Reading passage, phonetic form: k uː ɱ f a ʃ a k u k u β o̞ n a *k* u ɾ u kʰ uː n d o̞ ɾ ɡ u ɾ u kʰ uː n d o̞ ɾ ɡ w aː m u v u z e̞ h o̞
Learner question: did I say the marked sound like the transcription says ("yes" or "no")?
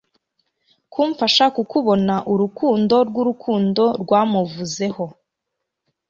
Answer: no